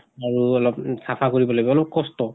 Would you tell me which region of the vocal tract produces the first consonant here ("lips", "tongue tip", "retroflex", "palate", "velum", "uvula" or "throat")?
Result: tongue tip